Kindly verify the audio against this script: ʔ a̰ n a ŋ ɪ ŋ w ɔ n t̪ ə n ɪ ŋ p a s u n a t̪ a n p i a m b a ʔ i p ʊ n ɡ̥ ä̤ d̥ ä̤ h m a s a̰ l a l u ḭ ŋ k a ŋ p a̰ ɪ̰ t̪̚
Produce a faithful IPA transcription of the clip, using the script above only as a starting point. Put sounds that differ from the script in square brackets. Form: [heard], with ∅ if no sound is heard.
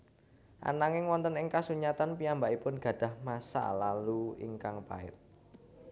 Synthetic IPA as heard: ʔ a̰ n a ŋ ɪ ŋ w ɔ n t̪ ə n ɪ ŋ [k] a s u [ɲ] a t̪ a n p i a m b a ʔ i p ʊ n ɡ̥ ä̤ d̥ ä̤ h m a s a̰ l a l u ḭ ŋ k a ŋ p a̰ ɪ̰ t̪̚

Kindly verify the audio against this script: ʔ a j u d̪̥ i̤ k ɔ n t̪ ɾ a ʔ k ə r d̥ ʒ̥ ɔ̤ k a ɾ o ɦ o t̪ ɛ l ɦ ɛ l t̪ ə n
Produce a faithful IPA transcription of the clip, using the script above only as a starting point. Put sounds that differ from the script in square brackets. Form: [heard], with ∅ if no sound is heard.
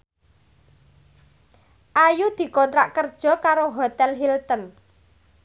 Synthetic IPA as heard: ʔ a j u d̪̥ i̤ k ɔ n t̪ ɾ a ʔ k ə r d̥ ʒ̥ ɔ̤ k a ɾ o ɦ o t̪ ɛ l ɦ [i] l t̪ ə n

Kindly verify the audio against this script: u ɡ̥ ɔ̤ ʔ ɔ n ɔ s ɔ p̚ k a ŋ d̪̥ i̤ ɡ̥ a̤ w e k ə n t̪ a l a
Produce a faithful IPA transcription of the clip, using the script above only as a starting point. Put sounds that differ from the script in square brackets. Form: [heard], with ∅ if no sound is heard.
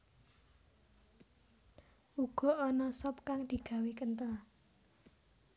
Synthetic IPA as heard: u ɡ̥ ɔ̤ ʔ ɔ n ɔ s ɔ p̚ k a ŋ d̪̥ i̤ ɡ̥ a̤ w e k ə n t̪ [ə] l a

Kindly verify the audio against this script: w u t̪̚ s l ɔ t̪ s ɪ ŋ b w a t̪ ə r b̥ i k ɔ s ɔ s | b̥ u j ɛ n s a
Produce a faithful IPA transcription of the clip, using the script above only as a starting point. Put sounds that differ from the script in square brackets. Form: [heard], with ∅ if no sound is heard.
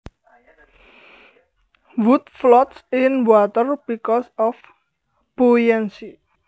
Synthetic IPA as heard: w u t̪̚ [f] l ɔ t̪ s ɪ [n] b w a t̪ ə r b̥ i k ɔ s ɔ [f] | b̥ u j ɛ n s [i]

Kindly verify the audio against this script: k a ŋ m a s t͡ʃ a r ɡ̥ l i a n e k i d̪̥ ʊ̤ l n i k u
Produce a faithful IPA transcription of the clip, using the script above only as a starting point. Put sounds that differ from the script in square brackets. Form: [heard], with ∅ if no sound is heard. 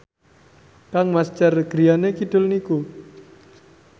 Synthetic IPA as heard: k a ŋ m a s t͡ʃ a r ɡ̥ [ɾ] i a n e k i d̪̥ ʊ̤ l n i k u

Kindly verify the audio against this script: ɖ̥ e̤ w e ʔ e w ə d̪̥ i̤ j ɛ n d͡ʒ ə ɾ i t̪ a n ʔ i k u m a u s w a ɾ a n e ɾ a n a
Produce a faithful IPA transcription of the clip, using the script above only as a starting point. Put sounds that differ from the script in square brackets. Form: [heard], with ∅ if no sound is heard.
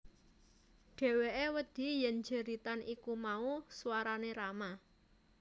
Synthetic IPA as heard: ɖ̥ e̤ w e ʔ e w ə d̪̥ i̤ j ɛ n d͡ʒ ə ɾ i t̪ a n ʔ i k u m a u s w a ɾ a n e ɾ a [m] a

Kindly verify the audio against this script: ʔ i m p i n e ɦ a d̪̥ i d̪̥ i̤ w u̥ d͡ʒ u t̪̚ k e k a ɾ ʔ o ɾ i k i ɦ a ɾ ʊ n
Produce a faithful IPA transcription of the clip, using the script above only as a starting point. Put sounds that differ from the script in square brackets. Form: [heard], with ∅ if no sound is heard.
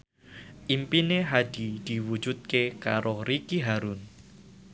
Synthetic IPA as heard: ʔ i m p i n e ɦ a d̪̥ i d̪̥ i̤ w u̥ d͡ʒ u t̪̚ k e k a ɾ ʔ o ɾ i k i ɦ a ɾ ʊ n

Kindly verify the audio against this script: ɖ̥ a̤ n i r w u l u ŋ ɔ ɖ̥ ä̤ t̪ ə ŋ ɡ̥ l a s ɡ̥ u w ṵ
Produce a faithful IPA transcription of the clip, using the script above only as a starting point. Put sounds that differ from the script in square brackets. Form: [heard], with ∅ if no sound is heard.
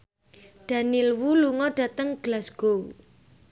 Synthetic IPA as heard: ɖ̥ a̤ n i [l] w u l u ŋ ɔ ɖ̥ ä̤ t̪ ə ŋ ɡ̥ l a s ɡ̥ [o] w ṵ

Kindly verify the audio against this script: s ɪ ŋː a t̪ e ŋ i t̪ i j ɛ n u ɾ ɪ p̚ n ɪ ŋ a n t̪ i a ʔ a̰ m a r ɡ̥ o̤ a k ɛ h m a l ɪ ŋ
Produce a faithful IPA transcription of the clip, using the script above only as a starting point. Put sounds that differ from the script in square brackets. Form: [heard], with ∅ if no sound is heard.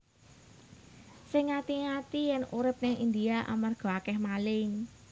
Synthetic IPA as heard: s ɪ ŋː a t̪ [i] ŋ [a] t̪ i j ɛ n u ɾ ɪ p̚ n ɪ ŋ [i] n [d̪] i a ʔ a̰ m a r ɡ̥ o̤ a k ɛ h m a l ɪ ŋ

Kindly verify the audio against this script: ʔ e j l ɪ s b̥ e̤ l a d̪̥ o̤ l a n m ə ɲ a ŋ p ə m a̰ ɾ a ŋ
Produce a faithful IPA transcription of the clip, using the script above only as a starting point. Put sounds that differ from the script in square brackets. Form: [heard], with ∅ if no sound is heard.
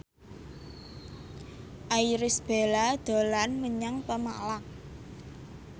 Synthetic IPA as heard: ʔ [a] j [ɾ] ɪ s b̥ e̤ l a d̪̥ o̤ l a n m ə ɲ a ŋ p ə m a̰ [l] a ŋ

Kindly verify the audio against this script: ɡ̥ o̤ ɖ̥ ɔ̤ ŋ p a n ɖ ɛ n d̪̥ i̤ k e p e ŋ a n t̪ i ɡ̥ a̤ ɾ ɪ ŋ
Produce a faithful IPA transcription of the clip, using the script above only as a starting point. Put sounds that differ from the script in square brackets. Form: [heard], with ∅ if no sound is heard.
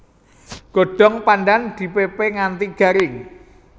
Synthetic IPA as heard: ɡ̥ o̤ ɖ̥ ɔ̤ ŋ p a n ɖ [a] n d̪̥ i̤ [p] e p e ŋ a n t̪ i ɡ̥ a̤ ɾ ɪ ŋ

